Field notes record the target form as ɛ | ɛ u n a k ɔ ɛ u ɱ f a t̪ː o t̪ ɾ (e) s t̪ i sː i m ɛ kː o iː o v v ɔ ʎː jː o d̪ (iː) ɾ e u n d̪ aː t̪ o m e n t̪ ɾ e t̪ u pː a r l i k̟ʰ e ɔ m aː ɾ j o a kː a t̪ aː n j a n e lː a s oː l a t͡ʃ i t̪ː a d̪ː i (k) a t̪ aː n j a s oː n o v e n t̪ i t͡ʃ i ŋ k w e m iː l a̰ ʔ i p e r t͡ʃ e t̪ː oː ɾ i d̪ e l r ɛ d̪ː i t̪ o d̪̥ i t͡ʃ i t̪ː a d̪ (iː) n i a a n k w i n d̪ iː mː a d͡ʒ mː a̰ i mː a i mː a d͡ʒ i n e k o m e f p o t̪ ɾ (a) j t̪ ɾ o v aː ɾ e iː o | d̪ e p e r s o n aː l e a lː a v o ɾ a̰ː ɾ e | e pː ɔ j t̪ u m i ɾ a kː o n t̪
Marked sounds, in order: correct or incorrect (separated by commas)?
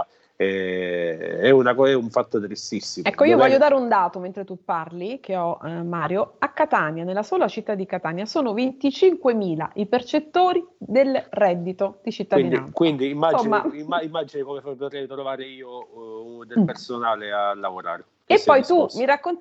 incorrect, incorrect, correct, incorrect, incorrect